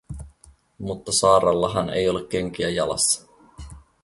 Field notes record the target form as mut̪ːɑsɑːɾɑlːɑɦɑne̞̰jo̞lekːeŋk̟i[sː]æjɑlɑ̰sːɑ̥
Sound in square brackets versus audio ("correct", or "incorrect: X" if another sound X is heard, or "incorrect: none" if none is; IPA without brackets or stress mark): incorrect: none